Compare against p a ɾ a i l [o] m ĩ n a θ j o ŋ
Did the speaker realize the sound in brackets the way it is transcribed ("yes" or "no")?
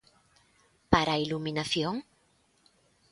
no